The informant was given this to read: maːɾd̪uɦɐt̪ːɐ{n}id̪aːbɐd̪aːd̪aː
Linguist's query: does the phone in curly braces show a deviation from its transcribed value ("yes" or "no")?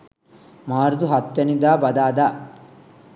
no